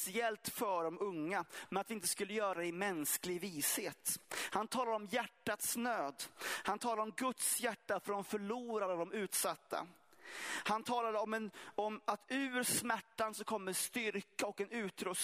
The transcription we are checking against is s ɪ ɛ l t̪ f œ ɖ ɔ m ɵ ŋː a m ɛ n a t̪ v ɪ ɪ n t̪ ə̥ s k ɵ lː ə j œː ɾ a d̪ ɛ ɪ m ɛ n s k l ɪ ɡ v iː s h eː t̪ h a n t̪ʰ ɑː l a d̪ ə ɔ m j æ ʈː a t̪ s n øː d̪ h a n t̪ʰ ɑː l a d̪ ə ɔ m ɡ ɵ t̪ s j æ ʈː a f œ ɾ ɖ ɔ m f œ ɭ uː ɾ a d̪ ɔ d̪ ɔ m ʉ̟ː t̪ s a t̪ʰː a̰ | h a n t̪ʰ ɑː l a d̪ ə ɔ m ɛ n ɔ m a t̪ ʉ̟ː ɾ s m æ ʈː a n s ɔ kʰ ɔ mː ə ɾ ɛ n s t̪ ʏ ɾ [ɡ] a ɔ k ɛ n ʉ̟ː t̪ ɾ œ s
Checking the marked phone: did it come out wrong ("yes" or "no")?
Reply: yes